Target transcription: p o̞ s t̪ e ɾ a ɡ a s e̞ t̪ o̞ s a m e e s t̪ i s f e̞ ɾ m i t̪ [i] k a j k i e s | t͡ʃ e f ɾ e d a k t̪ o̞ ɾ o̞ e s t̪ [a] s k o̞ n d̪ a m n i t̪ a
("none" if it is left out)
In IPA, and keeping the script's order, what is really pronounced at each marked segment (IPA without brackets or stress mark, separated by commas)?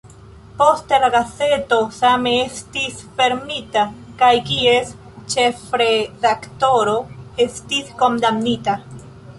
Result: a, i